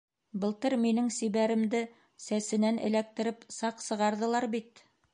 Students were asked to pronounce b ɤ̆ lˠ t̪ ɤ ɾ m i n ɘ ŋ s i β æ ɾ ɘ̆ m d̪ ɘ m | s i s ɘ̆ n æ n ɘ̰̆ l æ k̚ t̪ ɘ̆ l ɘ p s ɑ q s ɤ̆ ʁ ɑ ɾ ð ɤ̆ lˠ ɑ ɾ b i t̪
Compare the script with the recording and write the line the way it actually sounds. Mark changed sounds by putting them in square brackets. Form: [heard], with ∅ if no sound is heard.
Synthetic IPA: b ɤ̆ lˠ t̪ ɤ ɾ m i n ɘ ŋ s i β æ ɾ ɘ̆ m d̪ ɘ [∅] | s [æ] s ɘ̆ n æ n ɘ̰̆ l æ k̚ t̪ ɘ̆ [ɾ] ɘ p s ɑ q s ɤ̆ ʁ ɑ ɾ ð ɤ̆ lˠ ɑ ɾ b i t̪